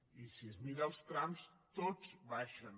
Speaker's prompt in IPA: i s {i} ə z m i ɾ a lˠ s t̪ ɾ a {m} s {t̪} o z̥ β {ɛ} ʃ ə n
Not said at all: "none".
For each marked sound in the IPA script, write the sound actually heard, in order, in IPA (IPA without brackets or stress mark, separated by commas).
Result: i, m, t̪, a